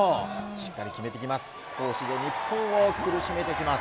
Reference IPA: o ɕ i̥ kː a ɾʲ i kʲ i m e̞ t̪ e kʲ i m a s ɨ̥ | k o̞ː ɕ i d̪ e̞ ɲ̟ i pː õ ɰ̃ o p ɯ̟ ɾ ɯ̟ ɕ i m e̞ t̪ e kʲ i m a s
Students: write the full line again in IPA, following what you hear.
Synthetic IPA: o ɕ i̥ kː a ɾʲ i kʲ i m e̞ t̪ e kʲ i m a s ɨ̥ | k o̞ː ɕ i d̪ e̞ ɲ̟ i pː õ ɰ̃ o k ɯ̟ ɾ ɯ̟ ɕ i m e̞ t̪ e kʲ i m a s